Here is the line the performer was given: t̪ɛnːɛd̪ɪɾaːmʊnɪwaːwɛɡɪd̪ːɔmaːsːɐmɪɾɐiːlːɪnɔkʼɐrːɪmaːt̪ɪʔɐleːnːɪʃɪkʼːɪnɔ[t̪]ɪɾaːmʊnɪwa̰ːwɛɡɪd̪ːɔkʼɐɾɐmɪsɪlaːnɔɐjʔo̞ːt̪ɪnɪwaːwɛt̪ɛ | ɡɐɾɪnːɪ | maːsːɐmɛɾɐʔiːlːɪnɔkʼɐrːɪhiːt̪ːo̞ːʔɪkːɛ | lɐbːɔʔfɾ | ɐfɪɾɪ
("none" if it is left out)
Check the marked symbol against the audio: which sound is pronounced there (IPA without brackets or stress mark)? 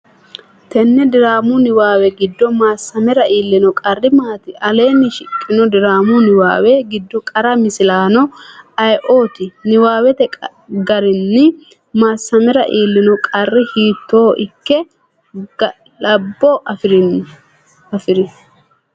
d̪